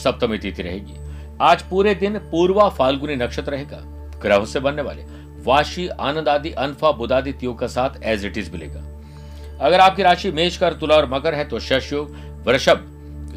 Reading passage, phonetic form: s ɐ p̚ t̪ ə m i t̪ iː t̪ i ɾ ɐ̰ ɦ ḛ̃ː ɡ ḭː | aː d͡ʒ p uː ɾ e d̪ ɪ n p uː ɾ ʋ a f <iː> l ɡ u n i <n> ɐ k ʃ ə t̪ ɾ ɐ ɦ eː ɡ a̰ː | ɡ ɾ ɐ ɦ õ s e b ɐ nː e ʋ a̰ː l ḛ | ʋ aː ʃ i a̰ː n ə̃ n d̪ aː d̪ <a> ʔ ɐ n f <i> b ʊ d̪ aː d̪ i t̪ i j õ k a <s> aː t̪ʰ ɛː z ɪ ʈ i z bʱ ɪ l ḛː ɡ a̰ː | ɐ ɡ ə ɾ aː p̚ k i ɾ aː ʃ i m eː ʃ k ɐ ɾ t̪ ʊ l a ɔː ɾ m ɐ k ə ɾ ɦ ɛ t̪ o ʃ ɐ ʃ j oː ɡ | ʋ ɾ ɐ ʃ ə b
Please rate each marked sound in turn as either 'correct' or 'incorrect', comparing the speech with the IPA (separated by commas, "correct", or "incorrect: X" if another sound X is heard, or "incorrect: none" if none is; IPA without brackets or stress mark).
incorrect: aː, correct, incorrect: i, incorrect: a, correct